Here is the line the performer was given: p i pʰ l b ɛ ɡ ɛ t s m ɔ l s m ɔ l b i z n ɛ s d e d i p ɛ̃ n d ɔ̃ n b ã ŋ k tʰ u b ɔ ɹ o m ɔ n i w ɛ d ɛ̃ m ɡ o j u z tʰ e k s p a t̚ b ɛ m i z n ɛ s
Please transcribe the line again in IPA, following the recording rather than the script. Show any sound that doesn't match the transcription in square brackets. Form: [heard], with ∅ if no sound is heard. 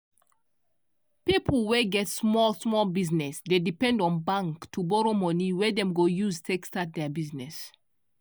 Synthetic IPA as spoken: p i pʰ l [w] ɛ ɡ ɛ t s m ɔ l s m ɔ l b i z n ɛ s d e d i p ɛ̃ n d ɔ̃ n b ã ŋ k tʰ u b ɔ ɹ o m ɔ n i w ɛ d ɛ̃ m ɡ o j u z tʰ e k s [t] a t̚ [d] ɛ [b] i z n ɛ s

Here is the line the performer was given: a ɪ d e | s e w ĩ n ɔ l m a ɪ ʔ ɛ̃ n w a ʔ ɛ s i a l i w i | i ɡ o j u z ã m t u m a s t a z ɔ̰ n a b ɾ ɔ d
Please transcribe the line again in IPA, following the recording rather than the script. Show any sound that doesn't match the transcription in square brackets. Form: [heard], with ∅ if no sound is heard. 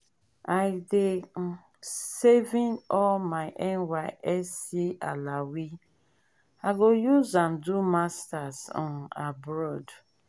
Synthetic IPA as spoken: a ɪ d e | s e [v] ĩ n ɔ l m a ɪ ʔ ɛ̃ n w a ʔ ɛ s i a l [a] w i | [a] ɡ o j u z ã m [d] u m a s t a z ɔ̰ n a b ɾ ɔ d

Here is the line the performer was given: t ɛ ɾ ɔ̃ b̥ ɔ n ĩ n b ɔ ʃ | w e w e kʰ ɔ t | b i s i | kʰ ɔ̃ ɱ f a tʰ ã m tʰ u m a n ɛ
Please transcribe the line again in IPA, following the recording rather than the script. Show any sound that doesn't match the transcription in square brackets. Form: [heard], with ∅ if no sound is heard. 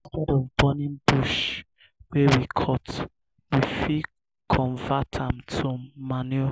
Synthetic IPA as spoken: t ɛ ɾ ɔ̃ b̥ ɔ n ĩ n b [u] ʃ | w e w [i] kʰ ɔ t | [w] i [f] i | kʰ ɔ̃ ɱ [v] a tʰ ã m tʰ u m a n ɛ

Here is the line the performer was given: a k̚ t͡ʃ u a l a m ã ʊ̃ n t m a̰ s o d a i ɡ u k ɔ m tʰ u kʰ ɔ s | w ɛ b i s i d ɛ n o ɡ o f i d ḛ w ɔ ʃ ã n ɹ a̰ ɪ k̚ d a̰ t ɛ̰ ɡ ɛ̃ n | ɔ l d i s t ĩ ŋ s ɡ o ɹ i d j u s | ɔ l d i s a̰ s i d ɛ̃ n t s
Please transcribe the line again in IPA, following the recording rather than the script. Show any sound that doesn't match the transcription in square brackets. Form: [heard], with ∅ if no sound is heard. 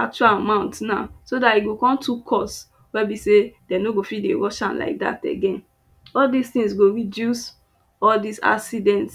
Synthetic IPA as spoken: a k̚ t͡ʃ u a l a m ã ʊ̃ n t [n] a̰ s o d a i ɡ [o] k [ɔ̃] m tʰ u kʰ ɔ s | w ɛ b i s [e] d ɛ n o ɡ o f i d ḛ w ɔ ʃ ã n [l] a̰ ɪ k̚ d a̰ t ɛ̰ ɡ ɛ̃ n | ɔ l d i s t ĩ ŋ s ɡ o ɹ i d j u s | ɔ l d i s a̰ s i d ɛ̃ n t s

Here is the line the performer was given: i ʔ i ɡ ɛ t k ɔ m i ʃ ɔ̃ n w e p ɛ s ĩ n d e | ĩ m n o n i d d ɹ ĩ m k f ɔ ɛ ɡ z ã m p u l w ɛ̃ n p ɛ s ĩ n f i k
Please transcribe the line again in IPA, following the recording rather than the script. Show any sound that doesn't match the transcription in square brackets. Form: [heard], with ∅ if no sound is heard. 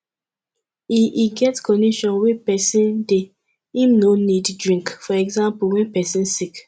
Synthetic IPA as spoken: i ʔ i ɡ ɛ t k ɔ [n] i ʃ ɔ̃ n w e p ɛ s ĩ n d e | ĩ m n o n i d d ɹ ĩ [ŋ] k f ɔ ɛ ɡ z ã m p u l w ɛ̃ n p ɛ s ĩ n [s] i k

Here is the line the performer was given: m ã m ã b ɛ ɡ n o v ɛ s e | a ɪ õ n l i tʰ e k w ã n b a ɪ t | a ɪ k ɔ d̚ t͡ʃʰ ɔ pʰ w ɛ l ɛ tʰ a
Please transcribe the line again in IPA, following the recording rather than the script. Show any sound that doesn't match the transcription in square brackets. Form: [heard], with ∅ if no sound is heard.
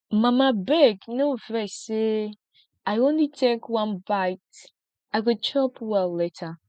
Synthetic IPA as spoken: m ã m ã b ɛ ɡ n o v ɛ s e | a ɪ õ n l i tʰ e k w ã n b a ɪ t | a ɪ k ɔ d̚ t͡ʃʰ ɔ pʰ w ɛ l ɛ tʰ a

